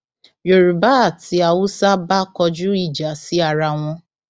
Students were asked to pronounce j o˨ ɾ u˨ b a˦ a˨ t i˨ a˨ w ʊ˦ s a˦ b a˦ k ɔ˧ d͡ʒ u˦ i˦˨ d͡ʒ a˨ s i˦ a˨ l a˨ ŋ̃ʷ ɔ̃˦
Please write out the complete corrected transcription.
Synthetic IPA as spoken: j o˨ ɾ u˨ b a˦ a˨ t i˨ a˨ w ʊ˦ s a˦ b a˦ k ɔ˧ d͡ʒ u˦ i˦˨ d͡ʒ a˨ s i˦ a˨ ɾ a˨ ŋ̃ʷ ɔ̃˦